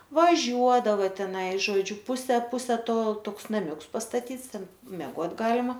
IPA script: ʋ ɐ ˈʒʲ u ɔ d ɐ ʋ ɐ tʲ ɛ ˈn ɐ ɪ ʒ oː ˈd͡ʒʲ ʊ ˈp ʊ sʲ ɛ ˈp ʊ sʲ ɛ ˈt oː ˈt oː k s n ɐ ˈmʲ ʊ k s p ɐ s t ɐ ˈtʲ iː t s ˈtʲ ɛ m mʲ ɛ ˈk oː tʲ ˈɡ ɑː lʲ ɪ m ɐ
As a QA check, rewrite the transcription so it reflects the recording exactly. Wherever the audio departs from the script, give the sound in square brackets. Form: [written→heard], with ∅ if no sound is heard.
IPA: ʋ ɐ ˈʒʲ u ɔ d ɐ ʋ ɐ tʲ ɛ ˈn ɐ ɪ ʒ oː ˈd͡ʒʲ ʊ ˈp ʊ sʲ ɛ ˈp ʊ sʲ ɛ ˈt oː ˈt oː k s n ɐ ˈmʲ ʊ k s p ɐ s t ɐ ˈtʲ iː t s ˈtʲ ɛ [m→n] mʲ ɛ [ˈk→ˈɡ] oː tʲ ˈɡ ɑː lʲ ɪ m ɐ